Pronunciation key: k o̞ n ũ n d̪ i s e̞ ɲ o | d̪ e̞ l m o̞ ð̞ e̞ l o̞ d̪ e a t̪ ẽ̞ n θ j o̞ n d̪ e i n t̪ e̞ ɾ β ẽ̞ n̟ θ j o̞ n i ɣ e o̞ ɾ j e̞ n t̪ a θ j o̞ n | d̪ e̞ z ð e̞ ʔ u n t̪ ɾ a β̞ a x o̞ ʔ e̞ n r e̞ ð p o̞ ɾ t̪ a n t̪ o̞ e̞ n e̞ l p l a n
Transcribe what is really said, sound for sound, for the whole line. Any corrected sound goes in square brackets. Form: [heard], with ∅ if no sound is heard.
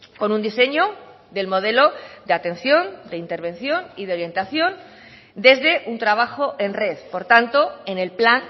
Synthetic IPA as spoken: k o̞ n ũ n d̪ i s e̞ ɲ o | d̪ e̞ l m o̞ ð̞ e̞ l o̞ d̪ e a t̪ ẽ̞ n θ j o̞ n d̪ e i n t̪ e̞ ɾ β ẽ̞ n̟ θ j o̞ n i [ð] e o̞ ɾ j e̞ n t̪ a θ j o̞ n | d̪ e̞ z ð e̞ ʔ u n t̪ ɾ a β̞ a x o̞ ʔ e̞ n r e̞ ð p o̞ ɾ t̪ a n t̪ o̞ e̞ n e̞ l p l a n